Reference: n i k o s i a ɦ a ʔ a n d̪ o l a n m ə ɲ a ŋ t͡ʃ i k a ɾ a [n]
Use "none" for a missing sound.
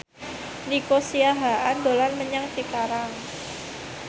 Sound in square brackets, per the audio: ŋ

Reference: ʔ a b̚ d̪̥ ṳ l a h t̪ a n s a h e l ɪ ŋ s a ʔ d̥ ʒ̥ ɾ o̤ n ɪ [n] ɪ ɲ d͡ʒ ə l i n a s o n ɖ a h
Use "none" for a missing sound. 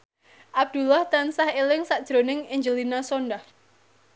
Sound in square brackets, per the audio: ŋ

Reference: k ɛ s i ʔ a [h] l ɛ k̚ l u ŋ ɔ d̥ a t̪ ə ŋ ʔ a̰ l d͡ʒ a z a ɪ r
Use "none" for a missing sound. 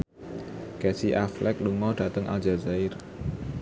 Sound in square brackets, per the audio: f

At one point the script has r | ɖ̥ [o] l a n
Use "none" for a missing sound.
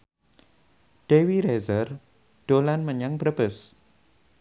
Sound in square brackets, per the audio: o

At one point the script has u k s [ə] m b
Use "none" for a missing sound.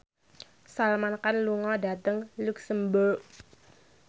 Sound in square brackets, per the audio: ə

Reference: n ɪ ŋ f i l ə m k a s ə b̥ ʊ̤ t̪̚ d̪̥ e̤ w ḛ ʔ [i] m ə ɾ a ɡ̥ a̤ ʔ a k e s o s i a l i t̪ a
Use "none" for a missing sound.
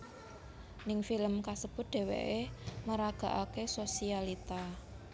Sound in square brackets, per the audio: e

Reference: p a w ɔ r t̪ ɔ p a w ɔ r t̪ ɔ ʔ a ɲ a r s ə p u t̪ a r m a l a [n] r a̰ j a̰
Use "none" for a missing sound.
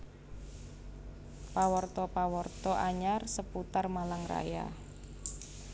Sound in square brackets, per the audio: ŋ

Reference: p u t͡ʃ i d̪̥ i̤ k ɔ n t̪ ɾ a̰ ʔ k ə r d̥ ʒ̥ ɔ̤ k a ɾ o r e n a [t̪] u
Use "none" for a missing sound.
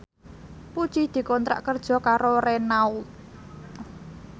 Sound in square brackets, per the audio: none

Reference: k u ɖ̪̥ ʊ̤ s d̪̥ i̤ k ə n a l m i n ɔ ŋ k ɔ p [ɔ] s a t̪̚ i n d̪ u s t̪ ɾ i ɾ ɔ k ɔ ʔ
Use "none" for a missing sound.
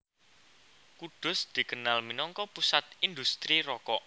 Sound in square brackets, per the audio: u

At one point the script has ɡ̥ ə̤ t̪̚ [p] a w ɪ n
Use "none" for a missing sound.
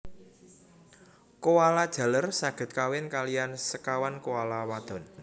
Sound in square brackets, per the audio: k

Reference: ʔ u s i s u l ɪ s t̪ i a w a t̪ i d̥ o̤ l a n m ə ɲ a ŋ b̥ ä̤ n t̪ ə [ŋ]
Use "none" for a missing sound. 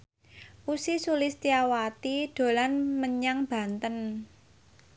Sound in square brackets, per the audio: n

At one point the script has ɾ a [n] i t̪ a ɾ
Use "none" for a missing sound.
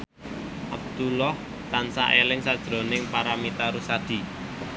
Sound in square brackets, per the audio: m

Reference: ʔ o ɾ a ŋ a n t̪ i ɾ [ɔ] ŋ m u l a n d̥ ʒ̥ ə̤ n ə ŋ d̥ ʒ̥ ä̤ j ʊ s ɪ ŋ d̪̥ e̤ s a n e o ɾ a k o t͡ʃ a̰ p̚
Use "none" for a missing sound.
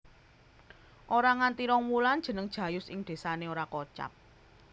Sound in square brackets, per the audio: ɔ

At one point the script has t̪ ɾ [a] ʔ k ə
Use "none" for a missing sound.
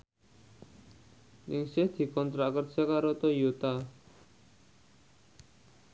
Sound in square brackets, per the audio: a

